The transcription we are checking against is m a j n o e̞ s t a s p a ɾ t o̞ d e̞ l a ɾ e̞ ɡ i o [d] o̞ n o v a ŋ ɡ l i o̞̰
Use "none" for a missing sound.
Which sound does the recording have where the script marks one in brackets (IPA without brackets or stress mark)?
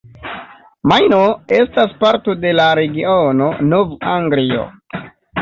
n